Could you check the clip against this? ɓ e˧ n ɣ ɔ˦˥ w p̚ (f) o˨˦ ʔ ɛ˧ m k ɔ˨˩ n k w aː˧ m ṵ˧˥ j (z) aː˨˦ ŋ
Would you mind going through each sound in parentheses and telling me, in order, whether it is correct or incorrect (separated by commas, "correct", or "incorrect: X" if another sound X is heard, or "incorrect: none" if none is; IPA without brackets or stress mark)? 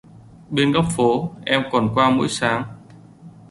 correct, incorrect: s